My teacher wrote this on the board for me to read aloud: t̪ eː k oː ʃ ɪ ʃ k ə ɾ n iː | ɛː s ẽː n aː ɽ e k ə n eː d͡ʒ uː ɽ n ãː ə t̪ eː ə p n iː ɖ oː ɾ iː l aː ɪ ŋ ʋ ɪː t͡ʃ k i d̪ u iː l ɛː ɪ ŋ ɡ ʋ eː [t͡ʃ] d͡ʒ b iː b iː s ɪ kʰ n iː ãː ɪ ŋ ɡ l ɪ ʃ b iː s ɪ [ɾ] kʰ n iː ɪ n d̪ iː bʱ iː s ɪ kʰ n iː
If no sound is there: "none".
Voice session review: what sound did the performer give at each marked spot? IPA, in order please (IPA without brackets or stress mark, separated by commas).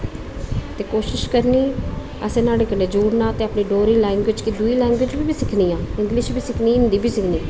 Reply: none, none